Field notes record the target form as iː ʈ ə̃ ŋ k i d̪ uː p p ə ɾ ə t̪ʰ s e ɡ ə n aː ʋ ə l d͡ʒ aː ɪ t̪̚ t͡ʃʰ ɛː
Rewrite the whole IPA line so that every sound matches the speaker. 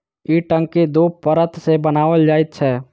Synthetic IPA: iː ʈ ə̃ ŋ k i d̪ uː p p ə ɾ ə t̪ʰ s e b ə n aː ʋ ə l d͡ʒ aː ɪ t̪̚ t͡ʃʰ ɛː